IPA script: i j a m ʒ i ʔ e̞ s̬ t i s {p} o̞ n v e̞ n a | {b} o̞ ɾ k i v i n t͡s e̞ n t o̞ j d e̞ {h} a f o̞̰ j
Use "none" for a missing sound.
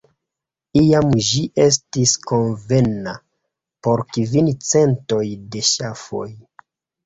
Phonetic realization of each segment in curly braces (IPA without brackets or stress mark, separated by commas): k, p, ʃ